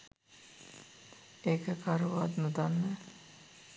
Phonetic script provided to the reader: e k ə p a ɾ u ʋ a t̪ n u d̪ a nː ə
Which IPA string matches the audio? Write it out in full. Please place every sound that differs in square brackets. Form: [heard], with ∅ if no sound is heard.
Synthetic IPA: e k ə [k] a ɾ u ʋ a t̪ n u d̪ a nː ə